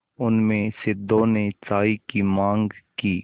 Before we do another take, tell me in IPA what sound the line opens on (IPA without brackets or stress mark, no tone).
ʊ